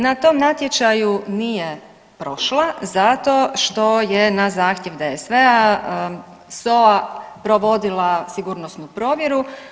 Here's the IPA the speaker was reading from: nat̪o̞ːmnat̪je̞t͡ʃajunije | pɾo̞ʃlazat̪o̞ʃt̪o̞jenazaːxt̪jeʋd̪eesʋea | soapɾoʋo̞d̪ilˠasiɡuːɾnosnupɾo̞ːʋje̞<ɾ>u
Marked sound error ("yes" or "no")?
no